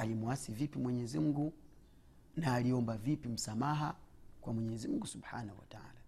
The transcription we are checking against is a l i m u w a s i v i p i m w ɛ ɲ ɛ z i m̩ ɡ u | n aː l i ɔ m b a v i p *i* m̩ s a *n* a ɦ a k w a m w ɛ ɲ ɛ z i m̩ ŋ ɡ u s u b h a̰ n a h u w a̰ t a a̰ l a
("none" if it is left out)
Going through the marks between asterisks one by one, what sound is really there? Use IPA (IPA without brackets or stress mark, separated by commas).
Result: i, m